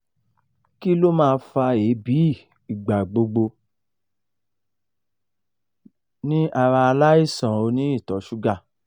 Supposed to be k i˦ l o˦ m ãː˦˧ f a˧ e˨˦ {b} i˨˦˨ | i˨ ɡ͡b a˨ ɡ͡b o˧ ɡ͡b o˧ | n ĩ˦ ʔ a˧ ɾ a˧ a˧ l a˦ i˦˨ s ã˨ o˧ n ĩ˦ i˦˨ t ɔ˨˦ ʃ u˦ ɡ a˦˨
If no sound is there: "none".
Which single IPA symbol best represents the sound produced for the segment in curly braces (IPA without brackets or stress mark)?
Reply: b